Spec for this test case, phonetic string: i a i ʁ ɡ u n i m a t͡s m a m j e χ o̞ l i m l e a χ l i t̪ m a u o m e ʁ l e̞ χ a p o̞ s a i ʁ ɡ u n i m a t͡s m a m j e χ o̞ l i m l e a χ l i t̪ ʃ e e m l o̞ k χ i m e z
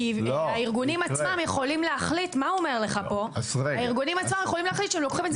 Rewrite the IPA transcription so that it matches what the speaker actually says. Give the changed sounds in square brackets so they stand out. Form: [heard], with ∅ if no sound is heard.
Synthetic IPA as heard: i a i ʁ ɡ u n i m a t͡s m a m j e χ o̞ l i m l e a χ l i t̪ m a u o m e ʁ l e̞ χ a p o̞ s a i ʁ ɡ u n i m a t͡s m a m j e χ o̞ l i m l e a χ l i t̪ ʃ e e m l o̞ k χ i m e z